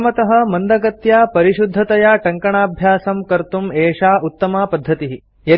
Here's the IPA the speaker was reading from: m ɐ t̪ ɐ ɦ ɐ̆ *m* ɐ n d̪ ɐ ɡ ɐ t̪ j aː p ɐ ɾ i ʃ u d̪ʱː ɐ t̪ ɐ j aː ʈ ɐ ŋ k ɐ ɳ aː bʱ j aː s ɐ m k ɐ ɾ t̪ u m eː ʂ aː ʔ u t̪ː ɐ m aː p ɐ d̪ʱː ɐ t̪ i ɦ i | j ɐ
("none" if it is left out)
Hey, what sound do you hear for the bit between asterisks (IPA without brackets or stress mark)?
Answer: m